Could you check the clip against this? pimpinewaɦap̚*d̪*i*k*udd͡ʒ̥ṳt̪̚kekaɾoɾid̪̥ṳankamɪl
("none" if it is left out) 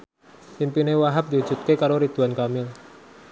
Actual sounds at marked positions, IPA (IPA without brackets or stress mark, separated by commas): d̪, none